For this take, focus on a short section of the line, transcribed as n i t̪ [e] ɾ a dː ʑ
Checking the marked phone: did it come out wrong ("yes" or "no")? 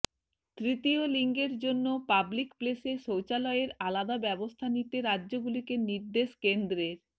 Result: no